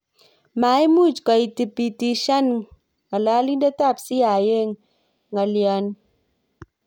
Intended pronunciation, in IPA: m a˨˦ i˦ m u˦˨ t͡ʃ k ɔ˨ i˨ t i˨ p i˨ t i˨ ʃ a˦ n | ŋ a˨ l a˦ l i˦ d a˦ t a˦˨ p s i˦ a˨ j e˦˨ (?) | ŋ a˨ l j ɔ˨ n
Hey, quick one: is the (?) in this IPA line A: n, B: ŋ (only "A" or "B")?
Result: B